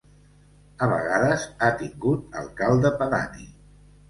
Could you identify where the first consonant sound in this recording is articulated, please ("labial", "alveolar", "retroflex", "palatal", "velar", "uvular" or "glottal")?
labial